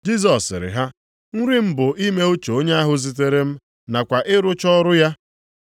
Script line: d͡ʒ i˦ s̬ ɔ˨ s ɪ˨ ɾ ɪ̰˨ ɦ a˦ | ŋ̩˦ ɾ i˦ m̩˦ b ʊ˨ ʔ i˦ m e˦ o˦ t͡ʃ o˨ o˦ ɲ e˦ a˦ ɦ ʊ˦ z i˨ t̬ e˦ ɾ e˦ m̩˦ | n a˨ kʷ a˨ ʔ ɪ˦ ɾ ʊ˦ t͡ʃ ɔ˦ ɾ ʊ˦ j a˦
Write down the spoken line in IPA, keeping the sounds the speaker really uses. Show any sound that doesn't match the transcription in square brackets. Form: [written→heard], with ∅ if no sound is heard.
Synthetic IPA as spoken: d͡ʒ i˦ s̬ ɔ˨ s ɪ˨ ɾ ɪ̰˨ ɦ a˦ | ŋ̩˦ ɾ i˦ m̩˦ b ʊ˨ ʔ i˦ m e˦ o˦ t͡ʃ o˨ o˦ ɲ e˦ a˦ ɦ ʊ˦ z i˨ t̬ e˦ ɾ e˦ m̩˦ | n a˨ kʷ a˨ ʔ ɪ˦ ɾ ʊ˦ t͡ʃ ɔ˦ ɾ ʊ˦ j a˦